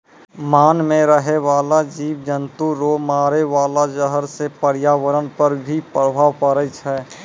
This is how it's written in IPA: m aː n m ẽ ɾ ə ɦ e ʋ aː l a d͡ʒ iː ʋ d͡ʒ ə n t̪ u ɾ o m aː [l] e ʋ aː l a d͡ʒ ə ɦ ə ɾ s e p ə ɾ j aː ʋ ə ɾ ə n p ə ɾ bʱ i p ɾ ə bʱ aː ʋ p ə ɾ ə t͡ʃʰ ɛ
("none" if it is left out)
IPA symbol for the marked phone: ɾ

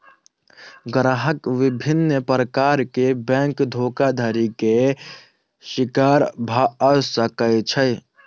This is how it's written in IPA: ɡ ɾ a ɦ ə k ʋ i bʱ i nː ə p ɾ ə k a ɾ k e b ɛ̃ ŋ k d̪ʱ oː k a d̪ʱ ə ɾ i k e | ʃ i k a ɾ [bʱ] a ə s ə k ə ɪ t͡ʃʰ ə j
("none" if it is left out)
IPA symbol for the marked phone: bʱ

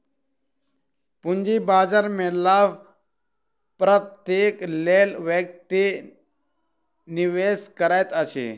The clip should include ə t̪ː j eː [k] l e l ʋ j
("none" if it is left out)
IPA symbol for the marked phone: k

